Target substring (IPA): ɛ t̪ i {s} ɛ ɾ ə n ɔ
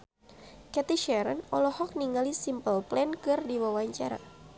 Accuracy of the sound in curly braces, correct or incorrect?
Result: incorrect